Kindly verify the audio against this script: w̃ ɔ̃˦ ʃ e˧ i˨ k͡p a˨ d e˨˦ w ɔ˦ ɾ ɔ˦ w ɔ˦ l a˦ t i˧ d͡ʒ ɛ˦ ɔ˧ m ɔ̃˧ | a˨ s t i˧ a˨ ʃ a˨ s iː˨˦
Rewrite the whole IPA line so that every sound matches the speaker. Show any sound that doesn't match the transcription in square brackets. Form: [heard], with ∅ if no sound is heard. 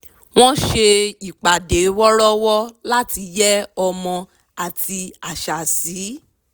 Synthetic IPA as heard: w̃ ɔ̃˦ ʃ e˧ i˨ k͡p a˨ d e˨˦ w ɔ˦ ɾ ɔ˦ w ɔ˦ l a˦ t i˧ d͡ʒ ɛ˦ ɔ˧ m ɔ̃˧ | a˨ [∅] t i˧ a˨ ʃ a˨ s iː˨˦